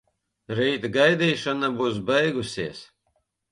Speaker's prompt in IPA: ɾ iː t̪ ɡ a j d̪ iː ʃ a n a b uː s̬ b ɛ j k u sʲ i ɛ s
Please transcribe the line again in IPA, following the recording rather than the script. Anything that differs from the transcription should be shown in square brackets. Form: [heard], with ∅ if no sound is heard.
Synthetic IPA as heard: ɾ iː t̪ ɡ a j d̪ iː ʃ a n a b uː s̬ b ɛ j [ɡ] u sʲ i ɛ s